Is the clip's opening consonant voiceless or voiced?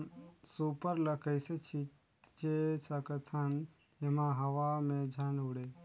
voiceless